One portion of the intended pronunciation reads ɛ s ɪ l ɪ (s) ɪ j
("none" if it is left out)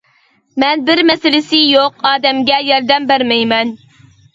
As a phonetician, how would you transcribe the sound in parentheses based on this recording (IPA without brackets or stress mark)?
s